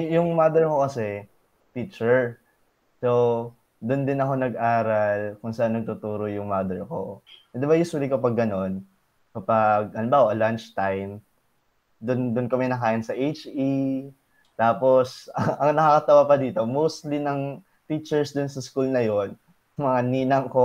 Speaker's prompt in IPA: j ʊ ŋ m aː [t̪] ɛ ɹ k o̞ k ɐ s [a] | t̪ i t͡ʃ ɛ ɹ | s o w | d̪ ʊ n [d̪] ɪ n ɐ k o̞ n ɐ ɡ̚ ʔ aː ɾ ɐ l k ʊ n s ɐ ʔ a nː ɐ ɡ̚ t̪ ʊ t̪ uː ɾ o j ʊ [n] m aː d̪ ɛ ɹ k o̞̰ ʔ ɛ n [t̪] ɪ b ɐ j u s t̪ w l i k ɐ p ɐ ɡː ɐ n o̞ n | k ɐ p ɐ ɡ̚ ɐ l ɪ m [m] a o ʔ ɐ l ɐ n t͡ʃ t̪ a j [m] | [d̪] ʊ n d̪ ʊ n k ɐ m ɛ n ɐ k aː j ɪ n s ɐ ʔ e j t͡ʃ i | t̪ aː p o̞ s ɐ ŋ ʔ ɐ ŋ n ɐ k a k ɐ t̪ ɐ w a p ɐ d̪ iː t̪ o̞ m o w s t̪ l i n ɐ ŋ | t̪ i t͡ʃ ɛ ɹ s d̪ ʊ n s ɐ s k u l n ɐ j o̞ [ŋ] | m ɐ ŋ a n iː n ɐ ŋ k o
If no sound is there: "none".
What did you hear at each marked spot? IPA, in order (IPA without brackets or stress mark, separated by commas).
d̪, ɛ, d̪, ŋ, d̪, b, m, d̪, n